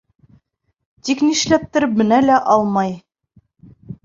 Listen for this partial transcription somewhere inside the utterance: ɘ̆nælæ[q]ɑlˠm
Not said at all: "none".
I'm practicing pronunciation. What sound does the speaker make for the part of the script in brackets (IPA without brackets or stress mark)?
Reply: ʔ